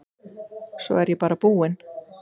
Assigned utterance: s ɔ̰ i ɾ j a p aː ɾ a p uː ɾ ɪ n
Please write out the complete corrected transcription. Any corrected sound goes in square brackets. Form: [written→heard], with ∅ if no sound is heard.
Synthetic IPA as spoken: s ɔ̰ [i→ɛ] ɾ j [a→ɛ] p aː ɾ a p uː [ɾ→∅] ɪ n